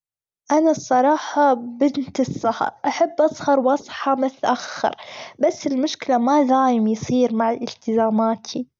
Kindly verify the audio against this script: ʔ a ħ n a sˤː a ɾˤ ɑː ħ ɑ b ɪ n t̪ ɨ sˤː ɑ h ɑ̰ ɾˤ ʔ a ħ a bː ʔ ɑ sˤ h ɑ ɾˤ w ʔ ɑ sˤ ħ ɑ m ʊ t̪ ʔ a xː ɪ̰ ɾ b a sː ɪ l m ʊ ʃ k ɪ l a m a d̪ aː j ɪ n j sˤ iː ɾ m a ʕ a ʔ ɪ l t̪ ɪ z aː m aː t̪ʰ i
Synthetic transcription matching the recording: ʔ a n a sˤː ɑ ɾˤ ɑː ħ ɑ b ɪ n t̪ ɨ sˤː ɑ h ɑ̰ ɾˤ ʔ a ħ a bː ʔ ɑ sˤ h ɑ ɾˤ w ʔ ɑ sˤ ħ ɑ m ʊ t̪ ʔ a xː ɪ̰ ɾ b a sː ɪ l m ʊ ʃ k ɪ l a m a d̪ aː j ɪ m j sˤ iː ɾ m a ʕ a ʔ ɪ l t̪ ɪ z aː m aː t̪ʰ i